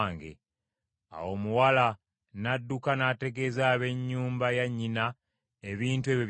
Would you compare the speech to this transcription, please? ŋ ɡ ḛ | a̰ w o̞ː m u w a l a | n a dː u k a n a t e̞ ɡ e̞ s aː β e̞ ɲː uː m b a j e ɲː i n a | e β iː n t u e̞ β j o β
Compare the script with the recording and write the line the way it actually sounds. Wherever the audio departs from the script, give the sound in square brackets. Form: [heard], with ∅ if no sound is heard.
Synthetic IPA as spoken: ŋ ɡ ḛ | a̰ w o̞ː m u w a l a | n a dː u k a n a t e̞ ɡ e̞ [z] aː β e̞ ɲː uː m b a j [a] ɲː i n a | e β iː n t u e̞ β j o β